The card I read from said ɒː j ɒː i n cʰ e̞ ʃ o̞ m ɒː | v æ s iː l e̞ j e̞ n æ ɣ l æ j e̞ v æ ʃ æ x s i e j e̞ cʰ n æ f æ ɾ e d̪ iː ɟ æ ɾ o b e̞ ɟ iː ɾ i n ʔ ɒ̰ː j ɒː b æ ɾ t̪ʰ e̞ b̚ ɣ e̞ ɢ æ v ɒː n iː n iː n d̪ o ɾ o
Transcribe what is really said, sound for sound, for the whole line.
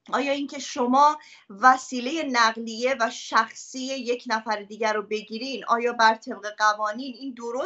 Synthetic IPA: ɒː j ɒː i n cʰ e̞ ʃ o̞ m ɒː | v æ s iː l e̞ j e̞ n æ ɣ l i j e̞ v æ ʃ æ x s i e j e̞ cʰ n æ f æ ɾ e d̪ iː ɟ æ ɾ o b e̞ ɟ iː ɾ i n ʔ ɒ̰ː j ɒː b æ ɾ t̪ʰ e̞ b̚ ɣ e̞ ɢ æ v ɒː n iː n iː n d̪ o ɾ o